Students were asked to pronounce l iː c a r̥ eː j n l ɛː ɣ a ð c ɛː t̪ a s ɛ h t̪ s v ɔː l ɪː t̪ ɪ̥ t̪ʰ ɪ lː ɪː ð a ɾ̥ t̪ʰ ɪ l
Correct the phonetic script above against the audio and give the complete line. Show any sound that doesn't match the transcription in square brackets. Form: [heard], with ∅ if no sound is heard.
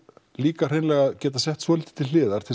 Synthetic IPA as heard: l iː [k] a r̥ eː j n l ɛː ɣ a ð c ɛː t̪ a s ɛ h t̪ s v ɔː l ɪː t̪ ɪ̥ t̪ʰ ɪ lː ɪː ð a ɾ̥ t̪ʰ ɪ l